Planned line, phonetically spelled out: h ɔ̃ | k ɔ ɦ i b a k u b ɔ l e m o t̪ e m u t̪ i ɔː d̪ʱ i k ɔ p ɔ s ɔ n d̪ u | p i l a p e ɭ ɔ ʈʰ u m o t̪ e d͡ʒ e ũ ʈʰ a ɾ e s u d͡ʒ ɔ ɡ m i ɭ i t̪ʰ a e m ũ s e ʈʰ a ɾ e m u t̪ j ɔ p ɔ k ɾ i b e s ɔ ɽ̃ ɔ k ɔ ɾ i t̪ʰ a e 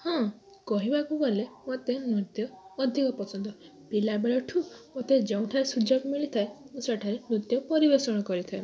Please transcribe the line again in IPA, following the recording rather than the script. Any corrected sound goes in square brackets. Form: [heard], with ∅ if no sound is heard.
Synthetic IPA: h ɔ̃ | k ɔ ɦ i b a k u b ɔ l e m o t̪ e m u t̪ [j] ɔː d̪ʱ i k ɔ p ɔ s ɔ n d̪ [ɔ] | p i l a [b] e ɭ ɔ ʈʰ u m o t̪ e d͡ʒ e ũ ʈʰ a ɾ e s u d͡ʒ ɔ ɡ m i ɭ i t̪ʰ a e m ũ s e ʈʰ a ɾ e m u t̪ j ɔ p ɔ [∅] ɾ i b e s ɔ ɽ̃ ɔ k ɔ ɾ i t̪ʰ a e